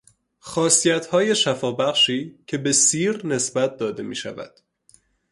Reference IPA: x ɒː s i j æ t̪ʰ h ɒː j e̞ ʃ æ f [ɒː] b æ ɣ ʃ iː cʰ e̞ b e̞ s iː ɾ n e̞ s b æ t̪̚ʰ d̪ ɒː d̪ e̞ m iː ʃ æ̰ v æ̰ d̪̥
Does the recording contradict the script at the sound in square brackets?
no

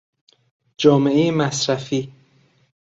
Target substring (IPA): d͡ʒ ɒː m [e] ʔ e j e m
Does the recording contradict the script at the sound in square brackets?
no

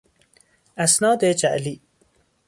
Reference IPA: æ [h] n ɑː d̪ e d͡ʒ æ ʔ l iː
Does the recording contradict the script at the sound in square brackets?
yes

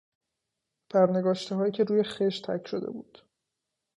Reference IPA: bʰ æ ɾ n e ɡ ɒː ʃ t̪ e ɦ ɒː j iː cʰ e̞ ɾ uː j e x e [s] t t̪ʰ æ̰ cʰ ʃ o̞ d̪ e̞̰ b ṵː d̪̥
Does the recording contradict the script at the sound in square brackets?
yes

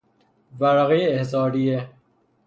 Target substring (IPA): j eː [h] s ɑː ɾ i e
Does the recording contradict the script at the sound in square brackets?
no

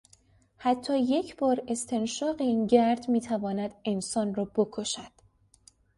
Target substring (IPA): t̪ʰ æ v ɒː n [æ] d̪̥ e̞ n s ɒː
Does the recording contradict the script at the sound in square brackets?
no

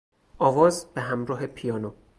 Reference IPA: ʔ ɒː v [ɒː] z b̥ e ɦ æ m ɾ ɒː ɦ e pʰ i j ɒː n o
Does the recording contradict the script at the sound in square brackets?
no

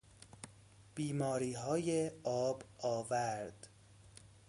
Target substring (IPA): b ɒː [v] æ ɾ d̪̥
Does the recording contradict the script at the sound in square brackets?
no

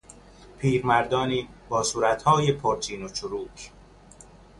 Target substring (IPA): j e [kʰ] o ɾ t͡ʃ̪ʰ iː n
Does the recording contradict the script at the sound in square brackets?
yes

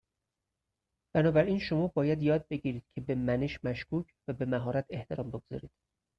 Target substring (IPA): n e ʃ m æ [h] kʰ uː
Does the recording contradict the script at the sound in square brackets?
yes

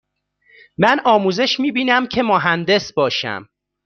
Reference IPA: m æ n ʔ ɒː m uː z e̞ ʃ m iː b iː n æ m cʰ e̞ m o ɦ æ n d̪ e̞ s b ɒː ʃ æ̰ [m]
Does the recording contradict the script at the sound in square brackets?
no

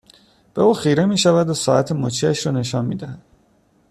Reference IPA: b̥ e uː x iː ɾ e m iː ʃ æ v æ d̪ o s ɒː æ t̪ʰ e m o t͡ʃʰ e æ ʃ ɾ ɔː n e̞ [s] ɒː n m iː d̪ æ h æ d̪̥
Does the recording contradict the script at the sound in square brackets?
yes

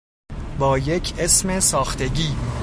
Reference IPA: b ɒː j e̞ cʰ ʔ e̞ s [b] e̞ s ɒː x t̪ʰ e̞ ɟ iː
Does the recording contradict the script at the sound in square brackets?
yes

